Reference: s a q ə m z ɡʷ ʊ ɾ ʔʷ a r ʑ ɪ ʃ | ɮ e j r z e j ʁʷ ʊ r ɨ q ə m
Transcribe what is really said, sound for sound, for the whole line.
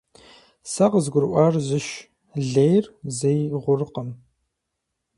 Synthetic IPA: s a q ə z ɡʷ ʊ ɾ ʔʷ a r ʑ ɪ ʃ | ɮ e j r z e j ʁʷ ʊ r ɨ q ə m